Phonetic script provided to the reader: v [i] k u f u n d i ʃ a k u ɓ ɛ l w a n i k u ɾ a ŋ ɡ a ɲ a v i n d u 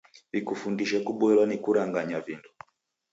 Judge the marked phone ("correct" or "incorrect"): correct